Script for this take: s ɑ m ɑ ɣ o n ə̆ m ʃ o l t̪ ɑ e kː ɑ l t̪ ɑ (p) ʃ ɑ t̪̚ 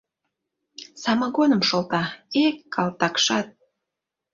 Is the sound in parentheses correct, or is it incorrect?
incorrect